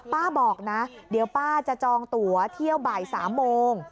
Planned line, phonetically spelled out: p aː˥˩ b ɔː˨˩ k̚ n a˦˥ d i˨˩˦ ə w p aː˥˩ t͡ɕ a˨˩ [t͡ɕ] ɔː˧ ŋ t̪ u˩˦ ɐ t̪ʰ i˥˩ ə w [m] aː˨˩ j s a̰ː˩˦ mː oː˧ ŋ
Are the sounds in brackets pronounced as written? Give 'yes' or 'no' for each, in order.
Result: yes, no

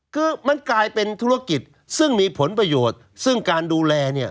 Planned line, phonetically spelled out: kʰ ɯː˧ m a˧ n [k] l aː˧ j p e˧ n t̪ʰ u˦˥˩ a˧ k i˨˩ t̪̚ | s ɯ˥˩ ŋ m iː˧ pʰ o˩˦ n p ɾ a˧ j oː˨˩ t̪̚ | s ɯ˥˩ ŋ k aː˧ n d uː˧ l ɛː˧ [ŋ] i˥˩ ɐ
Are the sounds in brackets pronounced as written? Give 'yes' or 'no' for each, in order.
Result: yes, no

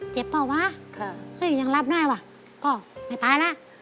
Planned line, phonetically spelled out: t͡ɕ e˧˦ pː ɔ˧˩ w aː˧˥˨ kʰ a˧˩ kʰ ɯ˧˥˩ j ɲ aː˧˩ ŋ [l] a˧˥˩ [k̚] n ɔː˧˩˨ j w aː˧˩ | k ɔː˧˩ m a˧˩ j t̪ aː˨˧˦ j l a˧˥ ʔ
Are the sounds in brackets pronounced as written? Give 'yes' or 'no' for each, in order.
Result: yes, no

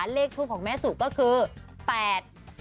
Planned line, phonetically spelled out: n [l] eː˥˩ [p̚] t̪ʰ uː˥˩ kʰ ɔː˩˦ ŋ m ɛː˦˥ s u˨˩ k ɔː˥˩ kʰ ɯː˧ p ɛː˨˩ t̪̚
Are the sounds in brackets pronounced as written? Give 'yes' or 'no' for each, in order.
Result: yes, no

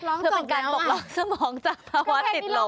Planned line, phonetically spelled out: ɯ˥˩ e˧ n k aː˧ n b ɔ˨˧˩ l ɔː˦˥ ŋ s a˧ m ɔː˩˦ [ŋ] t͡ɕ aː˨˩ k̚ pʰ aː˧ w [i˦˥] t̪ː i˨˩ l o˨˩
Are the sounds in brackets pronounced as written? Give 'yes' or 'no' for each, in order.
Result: yes, no

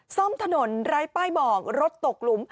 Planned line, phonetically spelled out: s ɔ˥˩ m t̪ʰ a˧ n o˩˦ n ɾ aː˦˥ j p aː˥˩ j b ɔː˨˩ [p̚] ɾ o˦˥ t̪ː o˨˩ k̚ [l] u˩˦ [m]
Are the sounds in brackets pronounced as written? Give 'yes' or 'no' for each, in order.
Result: no, yes, yes

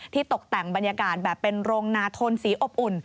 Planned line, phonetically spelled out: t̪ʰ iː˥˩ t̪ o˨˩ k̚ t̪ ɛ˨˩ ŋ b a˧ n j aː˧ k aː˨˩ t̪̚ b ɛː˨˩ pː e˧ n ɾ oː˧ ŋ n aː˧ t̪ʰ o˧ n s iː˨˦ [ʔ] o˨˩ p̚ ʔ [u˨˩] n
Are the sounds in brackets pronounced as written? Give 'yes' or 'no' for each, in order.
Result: yes, yes

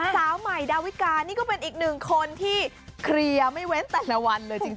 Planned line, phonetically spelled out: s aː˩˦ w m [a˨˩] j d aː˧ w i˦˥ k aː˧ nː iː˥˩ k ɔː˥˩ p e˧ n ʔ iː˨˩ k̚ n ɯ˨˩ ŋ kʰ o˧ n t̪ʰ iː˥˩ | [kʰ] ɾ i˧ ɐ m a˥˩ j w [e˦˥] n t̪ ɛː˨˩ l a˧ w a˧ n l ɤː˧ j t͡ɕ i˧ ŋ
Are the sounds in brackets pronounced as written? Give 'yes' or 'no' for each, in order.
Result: yes, yes, yes

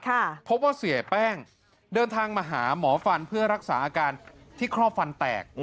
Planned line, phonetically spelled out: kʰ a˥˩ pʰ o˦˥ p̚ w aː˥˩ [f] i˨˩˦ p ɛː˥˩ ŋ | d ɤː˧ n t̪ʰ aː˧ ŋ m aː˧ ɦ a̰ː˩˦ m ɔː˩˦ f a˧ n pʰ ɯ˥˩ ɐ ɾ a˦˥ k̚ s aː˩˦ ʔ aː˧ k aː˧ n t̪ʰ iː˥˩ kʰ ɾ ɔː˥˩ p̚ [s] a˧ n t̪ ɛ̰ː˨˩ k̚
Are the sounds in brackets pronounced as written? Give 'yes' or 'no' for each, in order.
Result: no, no

